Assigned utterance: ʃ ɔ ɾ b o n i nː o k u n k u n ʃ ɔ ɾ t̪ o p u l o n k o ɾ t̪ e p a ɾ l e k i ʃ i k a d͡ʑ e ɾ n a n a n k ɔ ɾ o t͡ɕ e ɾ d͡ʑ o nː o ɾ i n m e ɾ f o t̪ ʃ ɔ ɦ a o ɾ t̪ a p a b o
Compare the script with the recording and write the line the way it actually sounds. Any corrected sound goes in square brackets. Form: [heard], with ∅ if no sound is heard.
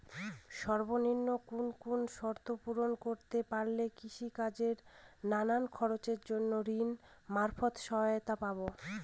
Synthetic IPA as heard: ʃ ɔ ɾ b o n i nː o k u n k u n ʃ ɔ ɾ t̪ o p u [ɾ] o n k o ɾ t̪ e p a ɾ l e k i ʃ i k a d͡ʑ e ɾ n a n a n [kʰ] ɔ ɾ o t͡ɕ e ɾ d͡ʑ o nː o ɾ i n m [a] ɾ f o t̪ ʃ ɔ ɦ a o [∅] t̪ a p a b o